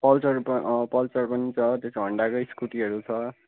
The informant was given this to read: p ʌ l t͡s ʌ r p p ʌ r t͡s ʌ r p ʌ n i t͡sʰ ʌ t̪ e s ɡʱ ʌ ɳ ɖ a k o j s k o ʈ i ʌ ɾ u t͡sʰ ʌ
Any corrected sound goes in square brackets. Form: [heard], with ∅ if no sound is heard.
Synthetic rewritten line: p ʌ l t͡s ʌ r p p ʌ [l] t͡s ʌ r p ʌ n i t͡sʰ ʌ t̪ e s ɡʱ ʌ ɳ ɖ a k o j s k [u] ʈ i ʌ ɾ u t͡sʰ ʌ